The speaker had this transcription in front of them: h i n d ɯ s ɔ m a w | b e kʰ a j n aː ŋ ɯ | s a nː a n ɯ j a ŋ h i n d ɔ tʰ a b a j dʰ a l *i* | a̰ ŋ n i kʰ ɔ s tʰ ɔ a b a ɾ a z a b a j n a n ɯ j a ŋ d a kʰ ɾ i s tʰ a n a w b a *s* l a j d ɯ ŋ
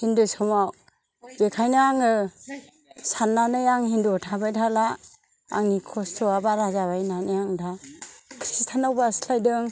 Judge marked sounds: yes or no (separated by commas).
no, yes